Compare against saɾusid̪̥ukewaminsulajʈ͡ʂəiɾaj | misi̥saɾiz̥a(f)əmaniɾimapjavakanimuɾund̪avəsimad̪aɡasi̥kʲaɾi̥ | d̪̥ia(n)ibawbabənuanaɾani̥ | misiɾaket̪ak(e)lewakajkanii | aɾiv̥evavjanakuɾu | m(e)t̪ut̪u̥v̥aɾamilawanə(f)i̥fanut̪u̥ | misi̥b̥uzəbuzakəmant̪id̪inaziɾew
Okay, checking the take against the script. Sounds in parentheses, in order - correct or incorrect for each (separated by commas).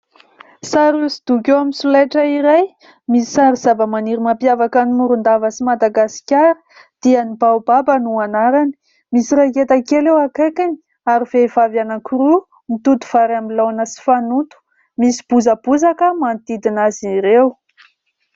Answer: incorrect, correct, correct, incorrect, incorrect